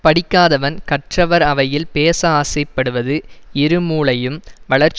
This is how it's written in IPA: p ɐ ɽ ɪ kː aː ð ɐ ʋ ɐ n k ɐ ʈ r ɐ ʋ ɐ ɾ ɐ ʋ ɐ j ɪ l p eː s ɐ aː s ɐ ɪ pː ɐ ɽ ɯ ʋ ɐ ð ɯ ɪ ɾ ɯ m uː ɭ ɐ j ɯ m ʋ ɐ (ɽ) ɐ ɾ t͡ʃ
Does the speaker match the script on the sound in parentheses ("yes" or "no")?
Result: no